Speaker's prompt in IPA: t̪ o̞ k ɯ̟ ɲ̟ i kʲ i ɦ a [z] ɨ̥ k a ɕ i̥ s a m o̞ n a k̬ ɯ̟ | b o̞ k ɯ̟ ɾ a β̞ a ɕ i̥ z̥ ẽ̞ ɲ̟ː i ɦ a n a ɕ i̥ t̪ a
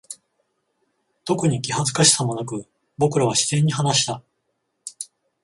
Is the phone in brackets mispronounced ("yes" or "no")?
no